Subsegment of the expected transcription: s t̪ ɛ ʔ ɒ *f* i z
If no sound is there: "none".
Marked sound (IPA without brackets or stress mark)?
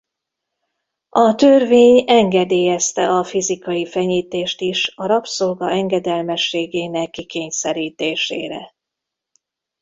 f